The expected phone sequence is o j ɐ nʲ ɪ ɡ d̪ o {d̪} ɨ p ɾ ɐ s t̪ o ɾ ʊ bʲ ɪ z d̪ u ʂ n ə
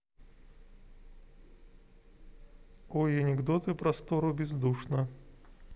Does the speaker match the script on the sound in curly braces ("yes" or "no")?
no